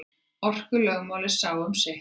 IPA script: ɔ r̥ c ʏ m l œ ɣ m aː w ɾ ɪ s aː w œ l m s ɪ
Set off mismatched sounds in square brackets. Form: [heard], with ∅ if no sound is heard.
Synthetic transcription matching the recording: ɔ r̥ [k] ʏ [∅] l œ ɣ m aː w [l] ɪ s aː w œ [∅] m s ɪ